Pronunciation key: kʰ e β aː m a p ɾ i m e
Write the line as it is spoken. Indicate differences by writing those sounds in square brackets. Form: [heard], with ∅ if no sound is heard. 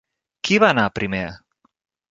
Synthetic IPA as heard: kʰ [i] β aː [n] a p ɾ i m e